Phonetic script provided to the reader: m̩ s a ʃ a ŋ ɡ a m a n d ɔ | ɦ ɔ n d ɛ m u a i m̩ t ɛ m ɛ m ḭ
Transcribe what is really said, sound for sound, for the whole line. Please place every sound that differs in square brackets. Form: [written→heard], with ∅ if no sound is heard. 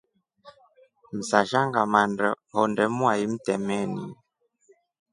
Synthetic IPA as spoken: m̩ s a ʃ a ŋ ɡ a m a n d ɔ | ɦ ɔ n d ɛ m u a i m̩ t ɛ m ɛ [m→n] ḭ